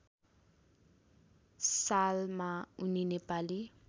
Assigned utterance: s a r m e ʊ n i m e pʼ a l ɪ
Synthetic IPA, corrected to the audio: s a l m a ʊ n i n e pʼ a l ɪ

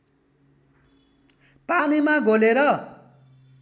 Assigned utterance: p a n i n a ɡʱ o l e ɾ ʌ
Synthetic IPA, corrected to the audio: p a n i m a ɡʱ o l e ɾ ʌ

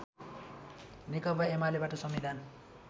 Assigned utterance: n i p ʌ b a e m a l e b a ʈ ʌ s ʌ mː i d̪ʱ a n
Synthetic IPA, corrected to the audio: n i k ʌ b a e m a l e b a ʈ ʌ s ʌ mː i d̪ʱ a n

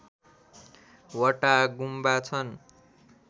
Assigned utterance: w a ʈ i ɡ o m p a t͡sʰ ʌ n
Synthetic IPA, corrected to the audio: w ʌ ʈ a ɡ u m b a t͡sʰ ʌ n

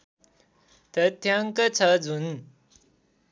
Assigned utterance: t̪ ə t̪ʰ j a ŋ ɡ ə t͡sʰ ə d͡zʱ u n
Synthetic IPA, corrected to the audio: t̪ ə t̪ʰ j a ŋ k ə t͡sʰ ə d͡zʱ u n

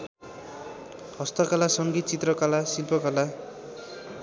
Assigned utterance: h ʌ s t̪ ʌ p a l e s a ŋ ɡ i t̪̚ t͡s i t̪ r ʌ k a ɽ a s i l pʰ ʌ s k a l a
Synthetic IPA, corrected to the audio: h ʌ s t̪ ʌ k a l a s ʌ ŋ ɡ i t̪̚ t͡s i t̪ r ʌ k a l a s i l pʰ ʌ k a l a

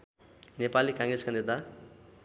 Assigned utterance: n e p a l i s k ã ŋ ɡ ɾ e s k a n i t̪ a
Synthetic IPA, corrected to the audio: n e p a l i k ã ŋ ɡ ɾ e s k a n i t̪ a

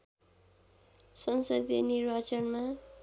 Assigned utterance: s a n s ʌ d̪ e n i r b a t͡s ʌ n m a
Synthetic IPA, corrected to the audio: s ʌ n s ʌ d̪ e n i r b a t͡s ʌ n m a

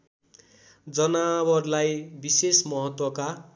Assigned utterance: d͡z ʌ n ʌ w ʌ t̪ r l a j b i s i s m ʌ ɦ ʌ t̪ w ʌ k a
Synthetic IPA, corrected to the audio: d͡z ʌ n a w ʌ r l a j b i s e s m ʌ ɦ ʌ t̪ w ʌ k a

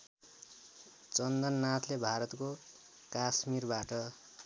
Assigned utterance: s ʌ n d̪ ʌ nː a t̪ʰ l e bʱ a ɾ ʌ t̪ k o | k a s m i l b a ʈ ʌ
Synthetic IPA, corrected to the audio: t͡s ʌ n d̪ ʌ nː a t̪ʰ l e bʱ a ɾ ʌ t̪ k o | k a s m i r b a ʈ ʌ

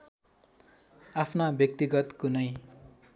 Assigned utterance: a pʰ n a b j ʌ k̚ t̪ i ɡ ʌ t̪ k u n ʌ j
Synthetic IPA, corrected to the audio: a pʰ n a b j ʌ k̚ t̪ i ɡ ʌ t̪ k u n ʌ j

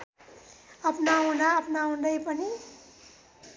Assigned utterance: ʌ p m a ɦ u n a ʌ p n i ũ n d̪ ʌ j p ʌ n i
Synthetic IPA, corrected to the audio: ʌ p n a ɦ u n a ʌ p n a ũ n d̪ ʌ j p ʌ n i

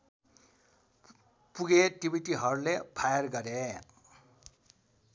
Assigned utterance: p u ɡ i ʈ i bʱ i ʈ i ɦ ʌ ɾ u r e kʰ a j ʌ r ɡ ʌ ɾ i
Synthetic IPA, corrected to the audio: p u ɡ e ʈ i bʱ i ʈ i ɦ ʌ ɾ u l e pʰ a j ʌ r ɡ ʌ ɾ e

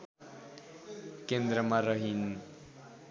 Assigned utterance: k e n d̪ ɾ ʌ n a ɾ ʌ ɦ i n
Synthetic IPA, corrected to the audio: k e n d̪ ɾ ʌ m a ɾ ʌ ɦ i n

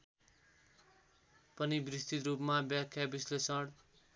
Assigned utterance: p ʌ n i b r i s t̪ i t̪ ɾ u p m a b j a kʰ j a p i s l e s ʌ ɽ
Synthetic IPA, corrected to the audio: p ʌ n i b r i s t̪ i t̪ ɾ u p m a b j a kʰ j a b i s l e s ʌ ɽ

